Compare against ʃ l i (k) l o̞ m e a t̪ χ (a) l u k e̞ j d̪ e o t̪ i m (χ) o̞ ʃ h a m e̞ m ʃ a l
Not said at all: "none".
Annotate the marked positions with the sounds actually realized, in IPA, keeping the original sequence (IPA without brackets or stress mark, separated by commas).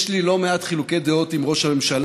none, i, ʁ